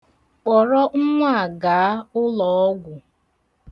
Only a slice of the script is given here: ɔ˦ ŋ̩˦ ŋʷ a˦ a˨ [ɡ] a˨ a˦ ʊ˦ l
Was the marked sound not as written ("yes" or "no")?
no